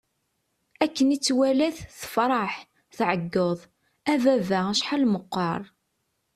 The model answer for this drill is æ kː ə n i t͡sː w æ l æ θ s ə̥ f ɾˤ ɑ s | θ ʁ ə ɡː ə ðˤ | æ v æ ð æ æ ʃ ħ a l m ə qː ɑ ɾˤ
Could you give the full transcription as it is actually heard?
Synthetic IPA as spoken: æ kː ə n i t͡sː w æ l æ θ θ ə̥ f ɾˤ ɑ ħ | θ ʕ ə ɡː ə ðˤ | æ v æ v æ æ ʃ ħ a l m ə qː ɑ ɾˤ